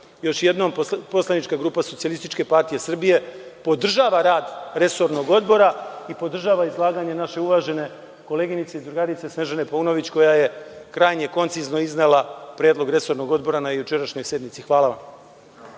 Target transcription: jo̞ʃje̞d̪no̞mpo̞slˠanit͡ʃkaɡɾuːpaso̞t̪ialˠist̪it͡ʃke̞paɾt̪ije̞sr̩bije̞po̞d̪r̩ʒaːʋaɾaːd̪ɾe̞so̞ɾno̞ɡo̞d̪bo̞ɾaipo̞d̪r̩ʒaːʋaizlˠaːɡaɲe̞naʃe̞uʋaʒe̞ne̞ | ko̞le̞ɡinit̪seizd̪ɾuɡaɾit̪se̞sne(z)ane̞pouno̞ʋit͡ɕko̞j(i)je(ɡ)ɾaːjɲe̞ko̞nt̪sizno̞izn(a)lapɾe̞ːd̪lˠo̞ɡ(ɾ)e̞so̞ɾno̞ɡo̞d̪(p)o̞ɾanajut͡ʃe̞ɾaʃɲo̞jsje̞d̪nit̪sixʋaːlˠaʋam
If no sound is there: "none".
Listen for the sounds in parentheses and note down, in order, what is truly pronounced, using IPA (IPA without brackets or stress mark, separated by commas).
ʒ, a, k, e, ɾ, b